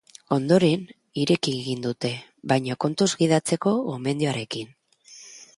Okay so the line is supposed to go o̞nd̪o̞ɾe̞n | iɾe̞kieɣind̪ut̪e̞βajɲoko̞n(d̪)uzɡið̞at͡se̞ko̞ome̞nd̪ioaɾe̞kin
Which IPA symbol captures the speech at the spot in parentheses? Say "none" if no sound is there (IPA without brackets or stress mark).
t̪